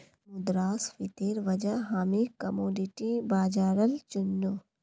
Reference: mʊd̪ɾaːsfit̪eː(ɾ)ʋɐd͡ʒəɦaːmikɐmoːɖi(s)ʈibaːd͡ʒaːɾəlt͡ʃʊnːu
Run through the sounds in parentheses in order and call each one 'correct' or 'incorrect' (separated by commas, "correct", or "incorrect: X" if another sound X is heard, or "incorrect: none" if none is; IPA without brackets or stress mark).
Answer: correct, incorrect: none